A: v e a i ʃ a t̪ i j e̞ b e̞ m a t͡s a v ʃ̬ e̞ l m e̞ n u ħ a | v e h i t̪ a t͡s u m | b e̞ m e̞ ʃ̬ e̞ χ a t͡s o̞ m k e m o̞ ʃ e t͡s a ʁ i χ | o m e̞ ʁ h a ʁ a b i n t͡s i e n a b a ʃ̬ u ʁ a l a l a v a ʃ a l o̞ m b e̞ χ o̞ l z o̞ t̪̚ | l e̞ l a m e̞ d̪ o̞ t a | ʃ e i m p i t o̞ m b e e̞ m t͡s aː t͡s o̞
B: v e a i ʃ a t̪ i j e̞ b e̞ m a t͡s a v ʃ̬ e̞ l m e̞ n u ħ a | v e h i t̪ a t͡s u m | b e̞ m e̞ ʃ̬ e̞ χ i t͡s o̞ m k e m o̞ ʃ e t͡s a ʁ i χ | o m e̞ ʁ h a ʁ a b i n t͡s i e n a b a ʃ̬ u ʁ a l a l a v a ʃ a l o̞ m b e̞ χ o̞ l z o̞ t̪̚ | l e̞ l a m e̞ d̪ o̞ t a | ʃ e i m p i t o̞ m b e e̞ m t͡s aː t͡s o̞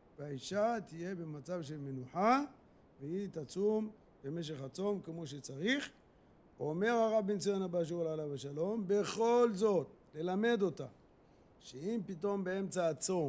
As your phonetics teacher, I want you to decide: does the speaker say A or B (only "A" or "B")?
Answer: A